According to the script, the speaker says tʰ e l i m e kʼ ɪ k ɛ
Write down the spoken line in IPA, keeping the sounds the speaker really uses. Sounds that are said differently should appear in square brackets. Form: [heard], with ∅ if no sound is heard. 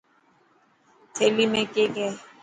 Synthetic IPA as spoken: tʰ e l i m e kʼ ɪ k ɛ